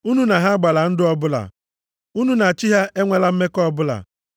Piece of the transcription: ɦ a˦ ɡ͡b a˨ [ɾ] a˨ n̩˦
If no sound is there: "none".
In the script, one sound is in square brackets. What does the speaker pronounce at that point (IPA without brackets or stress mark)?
l